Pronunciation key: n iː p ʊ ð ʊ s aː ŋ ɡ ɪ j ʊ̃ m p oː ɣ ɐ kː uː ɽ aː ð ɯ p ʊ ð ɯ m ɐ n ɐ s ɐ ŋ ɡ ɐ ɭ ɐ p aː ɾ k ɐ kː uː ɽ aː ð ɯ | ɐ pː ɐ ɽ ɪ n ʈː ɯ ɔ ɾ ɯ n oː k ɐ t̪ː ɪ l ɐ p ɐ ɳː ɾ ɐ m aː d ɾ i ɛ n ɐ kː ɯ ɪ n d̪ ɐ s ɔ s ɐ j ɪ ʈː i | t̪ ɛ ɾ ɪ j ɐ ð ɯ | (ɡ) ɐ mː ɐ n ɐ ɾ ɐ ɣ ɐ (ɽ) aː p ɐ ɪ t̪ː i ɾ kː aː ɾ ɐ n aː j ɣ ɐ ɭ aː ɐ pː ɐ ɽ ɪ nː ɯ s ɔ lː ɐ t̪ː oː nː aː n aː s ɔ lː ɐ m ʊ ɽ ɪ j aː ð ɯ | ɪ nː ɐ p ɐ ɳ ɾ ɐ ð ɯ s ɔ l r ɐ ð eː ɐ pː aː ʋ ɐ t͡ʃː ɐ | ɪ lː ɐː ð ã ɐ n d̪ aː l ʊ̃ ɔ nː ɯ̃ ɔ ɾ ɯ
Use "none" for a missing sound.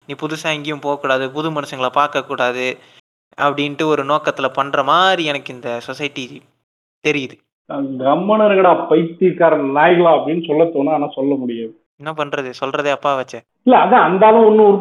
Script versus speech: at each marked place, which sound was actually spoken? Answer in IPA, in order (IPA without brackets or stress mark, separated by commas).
ɡ, ɽ